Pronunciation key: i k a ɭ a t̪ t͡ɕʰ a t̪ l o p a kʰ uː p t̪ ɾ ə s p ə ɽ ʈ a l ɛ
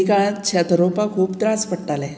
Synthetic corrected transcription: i k a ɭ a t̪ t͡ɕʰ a t̪ ɾ o p a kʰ uː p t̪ ɾ a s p ə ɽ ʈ a l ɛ

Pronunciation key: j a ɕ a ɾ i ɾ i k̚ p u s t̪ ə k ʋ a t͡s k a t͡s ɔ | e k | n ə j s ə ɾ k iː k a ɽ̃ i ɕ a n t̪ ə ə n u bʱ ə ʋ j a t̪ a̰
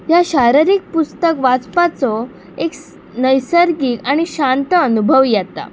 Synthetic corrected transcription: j a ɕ a ɾ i ɾ i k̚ p u s t̪ ə k ʋ a t͡s p a t͡s ɔ | e k | n ə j s ə ɾ ɡ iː k a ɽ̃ i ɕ a n t̪ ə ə n u bʱ ə ʋ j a t̪ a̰

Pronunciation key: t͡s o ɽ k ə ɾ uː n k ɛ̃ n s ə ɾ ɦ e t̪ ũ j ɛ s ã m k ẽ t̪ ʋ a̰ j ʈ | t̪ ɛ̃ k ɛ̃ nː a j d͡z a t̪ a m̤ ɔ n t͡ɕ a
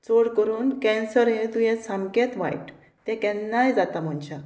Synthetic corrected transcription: t͡s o ɽ k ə ɾ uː n k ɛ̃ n s ə ɾ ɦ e t̪ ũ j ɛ s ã m k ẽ t̪ ʋ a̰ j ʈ | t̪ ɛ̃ k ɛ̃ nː a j d͡z a t̪ a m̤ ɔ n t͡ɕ a

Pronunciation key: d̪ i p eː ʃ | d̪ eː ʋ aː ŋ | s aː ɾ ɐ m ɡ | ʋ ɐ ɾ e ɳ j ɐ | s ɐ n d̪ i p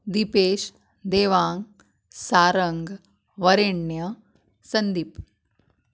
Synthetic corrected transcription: d̪ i p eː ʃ | d̪ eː ʋ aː ŋ | s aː ɾ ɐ ŋ ɡ | ʋ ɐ ɾ e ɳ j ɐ | s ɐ n d̪ i p

